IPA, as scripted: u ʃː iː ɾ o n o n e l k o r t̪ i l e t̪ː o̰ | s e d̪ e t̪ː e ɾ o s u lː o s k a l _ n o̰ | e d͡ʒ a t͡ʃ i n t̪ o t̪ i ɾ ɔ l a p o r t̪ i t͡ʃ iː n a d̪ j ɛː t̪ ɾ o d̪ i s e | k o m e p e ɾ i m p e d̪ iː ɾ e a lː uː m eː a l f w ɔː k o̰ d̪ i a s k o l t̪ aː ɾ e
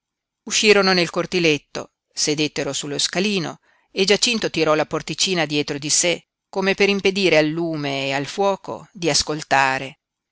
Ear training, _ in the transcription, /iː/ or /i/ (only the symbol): iː